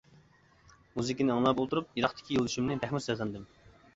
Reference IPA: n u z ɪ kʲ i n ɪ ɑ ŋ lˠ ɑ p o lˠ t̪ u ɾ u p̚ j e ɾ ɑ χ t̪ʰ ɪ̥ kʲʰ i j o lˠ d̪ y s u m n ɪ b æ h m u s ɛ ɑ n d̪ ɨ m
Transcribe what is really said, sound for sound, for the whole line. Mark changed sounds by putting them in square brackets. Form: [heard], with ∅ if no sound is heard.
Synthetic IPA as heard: [m] u z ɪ kʲ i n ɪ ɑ ŋ lˠ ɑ p o lˠ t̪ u ɾ u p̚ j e ɾ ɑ χ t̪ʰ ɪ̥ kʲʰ i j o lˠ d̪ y [ʃ] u m n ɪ b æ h m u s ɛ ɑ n d̪ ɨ m